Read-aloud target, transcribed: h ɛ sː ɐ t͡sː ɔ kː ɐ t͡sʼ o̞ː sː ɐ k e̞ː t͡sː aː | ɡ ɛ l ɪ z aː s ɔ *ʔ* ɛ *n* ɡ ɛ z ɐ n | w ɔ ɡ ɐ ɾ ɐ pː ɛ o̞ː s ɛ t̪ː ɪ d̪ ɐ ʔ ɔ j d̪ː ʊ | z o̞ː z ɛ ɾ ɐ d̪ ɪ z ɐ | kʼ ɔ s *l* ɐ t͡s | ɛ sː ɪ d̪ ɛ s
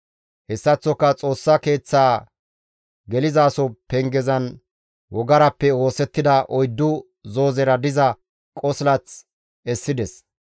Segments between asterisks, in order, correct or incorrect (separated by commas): incorrect, incorrect, correct